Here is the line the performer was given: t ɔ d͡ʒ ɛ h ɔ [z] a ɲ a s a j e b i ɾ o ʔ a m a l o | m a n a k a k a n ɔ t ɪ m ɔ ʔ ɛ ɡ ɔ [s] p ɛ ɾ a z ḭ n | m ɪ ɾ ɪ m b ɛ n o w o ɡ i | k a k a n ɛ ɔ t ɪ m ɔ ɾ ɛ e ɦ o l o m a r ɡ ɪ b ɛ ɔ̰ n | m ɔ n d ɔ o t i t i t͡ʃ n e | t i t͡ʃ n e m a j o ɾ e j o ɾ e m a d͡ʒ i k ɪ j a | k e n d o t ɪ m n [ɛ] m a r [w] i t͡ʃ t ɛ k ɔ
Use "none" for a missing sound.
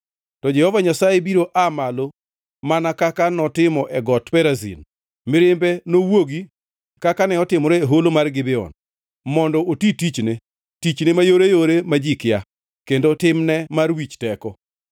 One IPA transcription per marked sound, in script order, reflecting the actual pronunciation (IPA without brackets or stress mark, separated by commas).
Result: v, t, ɛ, w